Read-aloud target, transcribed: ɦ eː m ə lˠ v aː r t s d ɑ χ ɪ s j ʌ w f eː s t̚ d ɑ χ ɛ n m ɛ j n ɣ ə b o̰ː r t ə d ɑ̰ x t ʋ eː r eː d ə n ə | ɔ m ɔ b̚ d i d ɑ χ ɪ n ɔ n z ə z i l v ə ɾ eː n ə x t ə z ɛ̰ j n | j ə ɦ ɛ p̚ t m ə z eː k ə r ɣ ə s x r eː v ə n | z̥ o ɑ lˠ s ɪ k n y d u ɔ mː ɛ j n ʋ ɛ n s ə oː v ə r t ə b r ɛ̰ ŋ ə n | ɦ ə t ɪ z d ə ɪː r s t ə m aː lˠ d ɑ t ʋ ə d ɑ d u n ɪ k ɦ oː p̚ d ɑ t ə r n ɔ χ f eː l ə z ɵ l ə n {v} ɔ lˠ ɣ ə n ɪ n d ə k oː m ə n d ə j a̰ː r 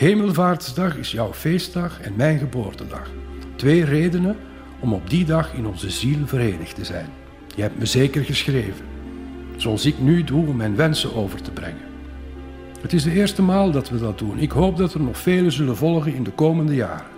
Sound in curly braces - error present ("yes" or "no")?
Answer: no